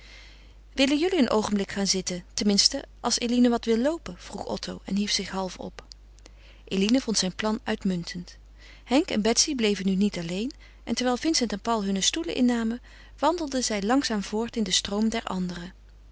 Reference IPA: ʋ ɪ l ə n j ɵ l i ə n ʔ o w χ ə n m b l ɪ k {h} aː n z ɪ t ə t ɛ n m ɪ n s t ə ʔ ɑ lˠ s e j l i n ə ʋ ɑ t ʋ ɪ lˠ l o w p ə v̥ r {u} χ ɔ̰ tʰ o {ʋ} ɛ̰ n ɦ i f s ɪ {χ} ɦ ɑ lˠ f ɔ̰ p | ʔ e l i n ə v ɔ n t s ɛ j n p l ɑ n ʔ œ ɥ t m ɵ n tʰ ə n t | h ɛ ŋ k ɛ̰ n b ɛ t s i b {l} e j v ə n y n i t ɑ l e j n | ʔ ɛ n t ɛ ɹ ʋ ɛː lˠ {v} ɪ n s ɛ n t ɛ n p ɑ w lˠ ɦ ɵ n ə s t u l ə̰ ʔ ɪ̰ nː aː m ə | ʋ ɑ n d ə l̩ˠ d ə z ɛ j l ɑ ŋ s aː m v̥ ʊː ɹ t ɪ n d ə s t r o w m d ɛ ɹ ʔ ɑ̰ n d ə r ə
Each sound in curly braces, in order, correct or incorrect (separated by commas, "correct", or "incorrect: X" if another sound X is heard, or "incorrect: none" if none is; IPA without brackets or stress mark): incorrect: χ, correct, incorrect: w, correct, correct, correct